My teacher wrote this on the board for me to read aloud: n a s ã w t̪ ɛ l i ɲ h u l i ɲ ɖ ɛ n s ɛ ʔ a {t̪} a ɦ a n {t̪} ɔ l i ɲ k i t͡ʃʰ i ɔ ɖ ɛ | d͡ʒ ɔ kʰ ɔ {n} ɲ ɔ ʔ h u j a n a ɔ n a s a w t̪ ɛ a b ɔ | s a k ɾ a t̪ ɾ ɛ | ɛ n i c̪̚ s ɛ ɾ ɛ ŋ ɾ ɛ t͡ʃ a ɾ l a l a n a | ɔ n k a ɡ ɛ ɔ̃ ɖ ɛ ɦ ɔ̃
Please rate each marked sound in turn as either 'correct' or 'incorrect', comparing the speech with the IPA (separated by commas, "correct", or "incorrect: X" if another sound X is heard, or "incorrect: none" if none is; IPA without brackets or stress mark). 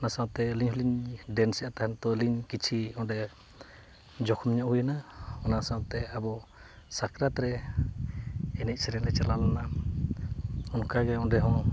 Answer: correct, correct, incorrect: m